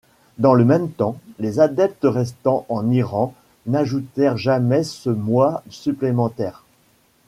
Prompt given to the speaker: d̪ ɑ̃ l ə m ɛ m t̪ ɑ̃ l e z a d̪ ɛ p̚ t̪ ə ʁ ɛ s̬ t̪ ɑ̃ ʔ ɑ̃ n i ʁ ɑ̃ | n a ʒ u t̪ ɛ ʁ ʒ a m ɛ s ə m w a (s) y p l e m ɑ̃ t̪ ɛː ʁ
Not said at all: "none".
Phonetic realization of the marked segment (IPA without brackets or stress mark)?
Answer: s